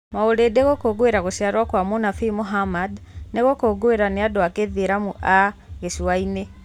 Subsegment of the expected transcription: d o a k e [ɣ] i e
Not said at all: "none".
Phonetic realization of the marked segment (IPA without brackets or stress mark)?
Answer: ð